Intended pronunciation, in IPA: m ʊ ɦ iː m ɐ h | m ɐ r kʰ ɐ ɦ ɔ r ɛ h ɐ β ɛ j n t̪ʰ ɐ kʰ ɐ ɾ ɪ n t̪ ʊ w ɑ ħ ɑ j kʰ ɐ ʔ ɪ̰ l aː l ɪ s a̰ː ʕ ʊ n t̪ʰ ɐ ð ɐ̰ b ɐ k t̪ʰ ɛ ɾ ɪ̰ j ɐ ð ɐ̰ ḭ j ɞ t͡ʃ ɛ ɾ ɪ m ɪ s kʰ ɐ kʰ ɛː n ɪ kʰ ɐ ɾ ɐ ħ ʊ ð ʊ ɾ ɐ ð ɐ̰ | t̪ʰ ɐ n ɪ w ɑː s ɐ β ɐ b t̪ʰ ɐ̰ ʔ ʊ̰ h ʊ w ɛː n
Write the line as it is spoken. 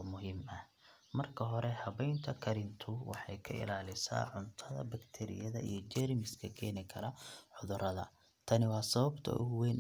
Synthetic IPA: m ʊ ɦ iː m ɐ h | m ɐ r kʰ ɐ ɦ ɔ ɾ ɛ h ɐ β ɛ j n t̪ʰ ɐ kʰ ɐ ɾ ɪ n t̪ʰ ʊ w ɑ ħ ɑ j kʰ ɐ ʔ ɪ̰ l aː l ɪ s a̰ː ʕ ʊ n t̪ʰ ɐ ð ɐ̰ b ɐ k t̪ʰ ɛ ɾ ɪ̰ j ɐ ð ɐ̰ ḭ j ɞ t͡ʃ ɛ ɾ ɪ m ɪ s kʰ ɐ kʰ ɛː n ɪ kʰ ɐ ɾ ɐ ħ ʊ ð ʊ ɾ ɐ ð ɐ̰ | t̪ʰ ɐ n ɪ w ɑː s ɐ β ɐ b t̪ʰ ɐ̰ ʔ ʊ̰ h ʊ w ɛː n